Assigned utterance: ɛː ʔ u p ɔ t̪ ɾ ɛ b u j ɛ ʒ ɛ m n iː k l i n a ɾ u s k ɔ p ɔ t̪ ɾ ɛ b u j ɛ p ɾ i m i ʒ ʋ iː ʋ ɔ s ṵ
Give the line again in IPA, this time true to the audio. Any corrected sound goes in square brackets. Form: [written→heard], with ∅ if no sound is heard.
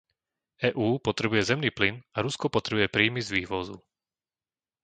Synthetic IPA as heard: ɛː ʔ [u→uː] p ɔ t̪ ɾ ɛ b u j ɛ [ʒ→z] ɛ m n iː [k→p] l i n a ɾ u s k ɔ p ɔ t̪ ɾ ɛ b u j ɛ p ɾ [i→iː] m i [ʒ→z] ʋ iː ʋ ɔ [s→z] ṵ